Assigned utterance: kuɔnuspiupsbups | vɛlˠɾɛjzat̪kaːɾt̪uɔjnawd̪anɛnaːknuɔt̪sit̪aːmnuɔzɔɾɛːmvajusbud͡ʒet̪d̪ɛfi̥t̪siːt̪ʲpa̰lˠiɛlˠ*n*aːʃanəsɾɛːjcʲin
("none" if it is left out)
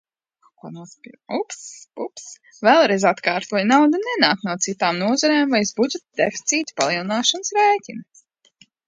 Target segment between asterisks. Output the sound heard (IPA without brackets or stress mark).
n